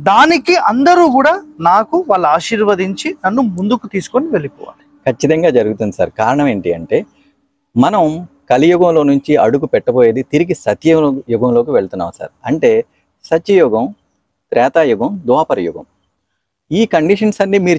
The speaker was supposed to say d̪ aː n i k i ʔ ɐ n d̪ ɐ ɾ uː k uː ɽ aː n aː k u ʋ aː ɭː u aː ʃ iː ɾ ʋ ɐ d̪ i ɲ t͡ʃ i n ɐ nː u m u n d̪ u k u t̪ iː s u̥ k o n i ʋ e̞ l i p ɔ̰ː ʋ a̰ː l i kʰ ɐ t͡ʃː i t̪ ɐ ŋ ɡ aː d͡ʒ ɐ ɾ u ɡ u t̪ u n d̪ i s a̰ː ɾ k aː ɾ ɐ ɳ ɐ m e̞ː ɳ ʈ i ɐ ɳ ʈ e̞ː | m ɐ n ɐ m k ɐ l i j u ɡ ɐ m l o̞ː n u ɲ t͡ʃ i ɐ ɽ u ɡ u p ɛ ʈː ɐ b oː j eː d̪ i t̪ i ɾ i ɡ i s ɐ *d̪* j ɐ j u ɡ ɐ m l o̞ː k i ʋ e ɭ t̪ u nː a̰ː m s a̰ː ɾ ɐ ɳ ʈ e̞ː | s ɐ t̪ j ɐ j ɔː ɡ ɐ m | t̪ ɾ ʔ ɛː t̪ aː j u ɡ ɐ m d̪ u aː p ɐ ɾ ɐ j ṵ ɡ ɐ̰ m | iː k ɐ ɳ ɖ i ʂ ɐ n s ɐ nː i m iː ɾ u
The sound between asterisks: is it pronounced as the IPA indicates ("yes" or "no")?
no